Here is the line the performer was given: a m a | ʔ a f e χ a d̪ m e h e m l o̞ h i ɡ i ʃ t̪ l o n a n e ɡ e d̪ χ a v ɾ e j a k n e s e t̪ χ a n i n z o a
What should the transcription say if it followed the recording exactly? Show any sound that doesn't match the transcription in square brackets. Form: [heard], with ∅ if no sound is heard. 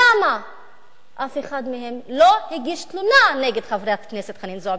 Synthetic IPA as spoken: a m a | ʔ a f e χ a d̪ m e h e m l o̞ h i ɡ i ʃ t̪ l [u] n a n e ɡ e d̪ χ a v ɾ e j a k n e s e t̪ χ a n i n z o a